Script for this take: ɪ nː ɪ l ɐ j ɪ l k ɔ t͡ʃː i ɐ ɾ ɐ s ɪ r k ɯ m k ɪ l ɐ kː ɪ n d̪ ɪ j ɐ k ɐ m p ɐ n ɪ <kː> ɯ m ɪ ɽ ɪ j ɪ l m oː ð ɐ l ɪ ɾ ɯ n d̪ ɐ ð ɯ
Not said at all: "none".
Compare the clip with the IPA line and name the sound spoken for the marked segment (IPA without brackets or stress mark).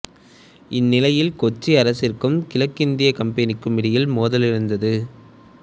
kː